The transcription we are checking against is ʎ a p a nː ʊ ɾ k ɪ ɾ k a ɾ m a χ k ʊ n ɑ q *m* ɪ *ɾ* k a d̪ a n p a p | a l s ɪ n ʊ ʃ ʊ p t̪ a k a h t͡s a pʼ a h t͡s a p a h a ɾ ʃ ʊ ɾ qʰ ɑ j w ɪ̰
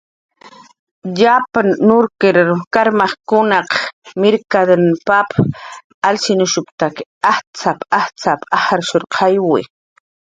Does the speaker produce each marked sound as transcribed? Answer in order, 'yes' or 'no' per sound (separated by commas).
yes, yes